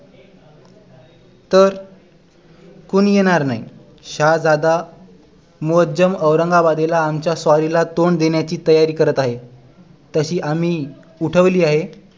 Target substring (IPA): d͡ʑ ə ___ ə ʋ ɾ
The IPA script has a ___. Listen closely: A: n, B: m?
B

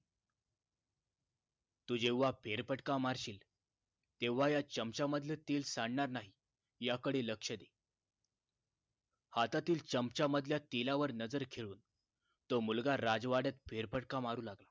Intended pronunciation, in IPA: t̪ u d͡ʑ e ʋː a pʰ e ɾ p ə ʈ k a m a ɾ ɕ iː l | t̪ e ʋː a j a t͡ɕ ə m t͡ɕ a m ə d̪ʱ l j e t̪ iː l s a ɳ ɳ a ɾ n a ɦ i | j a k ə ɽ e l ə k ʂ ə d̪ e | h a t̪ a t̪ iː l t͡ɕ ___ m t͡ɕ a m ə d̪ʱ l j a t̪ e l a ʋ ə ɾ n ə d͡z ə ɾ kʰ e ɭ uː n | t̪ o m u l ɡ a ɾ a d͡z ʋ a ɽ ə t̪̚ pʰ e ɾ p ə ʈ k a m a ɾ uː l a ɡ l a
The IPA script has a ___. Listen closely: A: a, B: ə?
B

